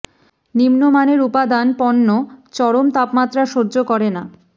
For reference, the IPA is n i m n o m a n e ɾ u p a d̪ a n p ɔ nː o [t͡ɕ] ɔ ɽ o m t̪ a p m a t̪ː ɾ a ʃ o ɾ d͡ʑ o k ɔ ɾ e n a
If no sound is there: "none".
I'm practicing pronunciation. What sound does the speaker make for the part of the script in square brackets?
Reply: t͡ɕ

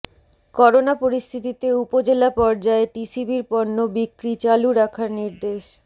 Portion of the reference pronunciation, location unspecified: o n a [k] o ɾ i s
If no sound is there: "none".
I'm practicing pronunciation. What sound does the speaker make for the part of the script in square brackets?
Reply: p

